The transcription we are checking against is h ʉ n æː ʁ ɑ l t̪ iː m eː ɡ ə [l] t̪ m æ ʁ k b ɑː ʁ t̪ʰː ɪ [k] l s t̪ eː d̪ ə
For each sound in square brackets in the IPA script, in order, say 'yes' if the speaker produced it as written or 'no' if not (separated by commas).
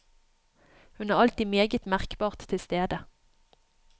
no, no